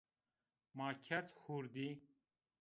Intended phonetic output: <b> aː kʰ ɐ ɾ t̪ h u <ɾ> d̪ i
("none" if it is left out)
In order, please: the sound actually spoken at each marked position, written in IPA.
m, ɾ

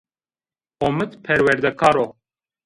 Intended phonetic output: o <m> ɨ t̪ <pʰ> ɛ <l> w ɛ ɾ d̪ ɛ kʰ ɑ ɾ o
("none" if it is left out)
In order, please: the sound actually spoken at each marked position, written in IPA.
m, pʰ, ɾ

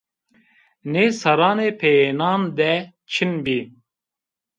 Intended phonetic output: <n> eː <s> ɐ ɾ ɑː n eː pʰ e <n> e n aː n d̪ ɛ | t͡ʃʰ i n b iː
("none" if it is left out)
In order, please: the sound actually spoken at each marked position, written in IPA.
n, s, none

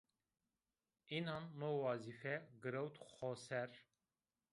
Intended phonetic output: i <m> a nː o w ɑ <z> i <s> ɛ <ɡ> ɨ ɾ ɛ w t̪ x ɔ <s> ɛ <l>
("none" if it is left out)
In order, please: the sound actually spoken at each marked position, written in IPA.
n, z, f, ɡ, s, ɾ

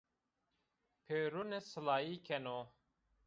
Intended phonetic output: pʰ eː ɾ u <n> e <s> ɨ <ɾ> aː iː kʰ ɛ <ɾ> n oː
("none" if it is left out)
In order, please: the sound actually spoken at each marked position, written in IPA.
n, s, l, none

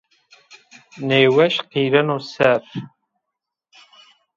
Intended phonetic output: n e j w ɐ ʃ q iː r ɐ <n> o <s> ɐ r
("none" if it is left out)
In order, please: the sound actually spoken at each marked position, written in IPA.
n, s

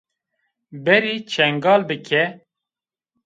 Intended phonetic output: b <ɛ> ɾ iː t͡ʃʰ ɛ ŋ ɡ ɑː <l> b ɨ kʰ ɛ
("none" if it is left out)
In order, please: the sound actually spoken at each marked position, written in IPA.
ɛ, l

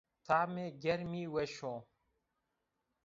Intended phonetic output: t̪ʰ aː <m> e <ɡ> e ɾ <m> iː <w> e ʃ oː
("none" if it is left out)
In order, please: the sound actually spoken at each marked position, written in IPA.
m, ɡ, m, w

